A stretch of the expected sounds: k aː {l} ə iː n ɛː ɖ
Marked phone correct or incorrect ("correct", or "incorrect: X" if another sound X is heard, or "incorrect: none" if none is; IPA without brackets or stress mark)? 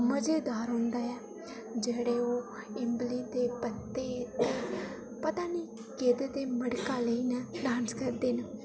correct